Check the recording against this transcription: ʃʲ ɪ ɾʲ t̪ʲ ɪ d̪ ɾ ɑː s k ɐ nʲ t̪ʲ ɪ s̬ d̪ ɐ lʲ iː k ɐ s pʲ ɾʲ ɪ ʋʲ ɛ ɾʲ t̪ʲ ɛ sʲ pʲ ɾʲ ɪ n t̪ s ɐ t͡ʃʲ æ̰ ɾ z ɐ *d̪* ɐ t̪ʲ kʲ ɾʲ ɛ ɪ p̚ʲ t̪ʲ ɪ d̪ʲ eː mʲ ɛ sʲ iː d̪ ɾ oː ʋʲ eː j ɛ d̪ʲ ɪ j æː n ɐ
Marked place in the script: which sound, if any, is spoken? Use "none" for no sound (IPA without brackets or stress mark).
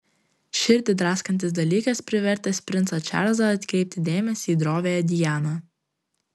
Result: none